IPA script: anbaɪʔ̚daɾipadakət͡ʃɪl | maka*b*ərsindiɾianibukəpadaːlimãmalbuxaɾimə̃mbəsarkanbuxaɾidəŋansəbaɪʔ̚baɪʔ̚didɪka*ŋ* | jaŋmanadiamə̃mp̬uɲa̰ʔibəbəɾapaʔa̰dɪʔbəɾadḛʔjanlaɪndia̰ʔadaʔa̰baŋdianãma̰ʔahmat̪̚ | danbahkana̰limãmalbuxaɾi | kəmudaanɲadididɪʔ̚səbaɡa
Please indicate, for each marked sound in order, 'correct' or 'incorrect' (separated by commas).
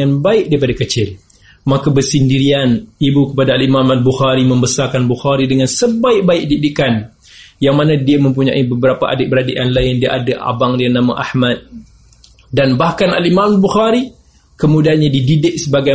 correct, incorrect